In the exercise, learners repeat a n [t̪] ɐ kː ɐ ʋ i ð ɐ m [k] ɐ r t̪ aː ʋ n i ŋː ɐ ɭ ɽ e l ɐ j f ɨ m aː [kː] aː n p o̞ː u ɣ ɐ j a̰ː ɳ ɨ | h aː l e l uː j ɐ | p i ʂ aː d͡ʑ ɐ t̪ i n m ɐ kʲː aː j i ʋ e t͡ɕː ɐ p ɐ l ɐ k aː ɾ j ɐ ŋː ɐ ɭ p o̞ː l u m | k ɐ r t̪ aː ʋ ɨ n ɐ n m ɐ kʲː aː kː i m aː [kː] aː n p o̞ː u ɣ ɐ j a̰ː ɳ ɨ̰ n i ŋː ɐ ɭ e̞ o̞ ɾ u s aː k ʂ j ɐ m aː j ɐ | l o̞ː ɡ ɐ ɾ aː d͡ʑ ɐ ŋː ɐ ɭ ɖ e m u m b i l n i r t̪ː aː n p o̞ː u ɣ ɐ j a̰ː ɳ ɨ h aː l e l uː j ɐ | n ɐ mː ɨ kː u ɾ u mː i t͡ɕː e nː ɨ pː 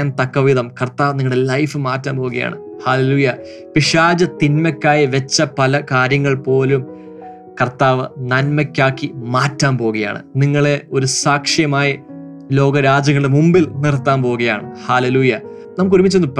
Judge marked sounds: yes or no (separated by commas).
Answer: yes, yes, no, no